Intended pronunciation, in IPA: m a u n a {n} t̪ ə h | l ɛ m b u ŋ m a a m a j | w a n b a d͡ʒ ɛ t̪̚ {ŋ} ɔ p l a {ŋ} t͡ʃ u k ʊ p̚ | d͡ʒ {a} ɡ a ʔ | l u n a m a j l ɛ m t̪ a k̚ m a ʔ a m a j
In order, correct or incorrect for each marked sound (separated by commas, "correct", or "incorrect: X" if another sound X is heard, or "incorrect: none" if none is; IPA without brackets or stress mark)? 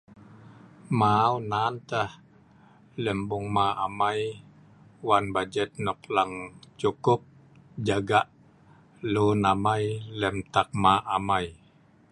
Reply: correct, incorrect: n, correct, correct